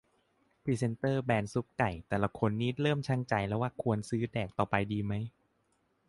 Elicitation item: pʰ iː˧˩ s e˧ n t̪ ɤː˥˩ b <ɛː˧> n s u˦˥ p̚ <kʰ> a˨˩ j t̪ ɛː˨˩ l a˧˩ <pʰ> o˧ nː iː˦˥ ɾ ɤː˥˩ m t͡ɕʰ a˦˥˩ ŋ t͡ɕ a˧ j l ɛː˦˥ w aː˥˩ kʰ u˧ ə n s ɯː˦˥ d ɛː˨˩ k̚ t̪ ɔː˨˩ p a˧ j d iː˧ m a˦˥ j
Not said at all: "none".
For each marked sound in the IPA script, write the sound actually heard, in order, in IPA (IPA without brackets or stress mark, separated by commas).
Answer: ɛː˧, k, kʰ